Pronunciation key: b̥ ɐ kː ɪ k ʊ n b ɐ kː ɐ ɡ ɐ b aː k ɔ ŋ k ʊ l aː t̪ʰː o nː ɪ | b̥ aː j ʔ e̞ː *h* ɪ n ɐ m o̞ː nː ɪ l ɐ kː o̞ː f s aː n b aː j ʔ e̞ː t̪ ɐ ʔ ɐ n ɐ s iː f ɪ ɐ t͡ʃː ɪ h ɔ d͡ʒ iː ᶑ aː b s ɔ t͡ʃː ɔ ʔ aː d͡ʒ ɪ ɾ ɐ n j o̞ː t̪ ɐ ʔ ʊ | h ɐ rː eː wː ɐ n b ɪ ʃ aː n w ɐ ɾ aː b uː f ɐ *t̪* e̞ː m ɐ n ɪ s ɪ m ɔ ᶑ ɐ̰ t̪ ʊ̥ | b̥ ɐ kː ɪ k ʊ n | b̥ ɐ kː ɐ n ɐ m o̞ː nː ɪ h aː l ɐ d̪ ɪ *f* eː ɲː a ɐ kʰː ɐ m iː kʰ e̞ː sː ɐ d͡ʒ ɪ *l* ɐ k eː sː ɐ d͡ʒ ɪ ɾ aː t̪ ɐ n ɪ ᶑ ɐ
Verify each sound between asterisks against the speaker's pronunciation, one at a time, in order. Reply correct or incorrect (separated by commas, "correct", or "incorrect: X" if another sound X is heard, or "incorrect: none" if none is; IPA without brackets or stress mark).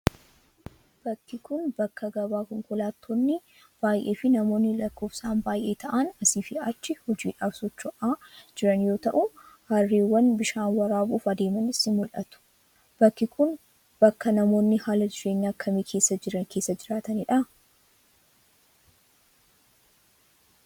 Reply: incorrect: f, incorrect: d̪, incorrect: ʃ, incorrect: ɾ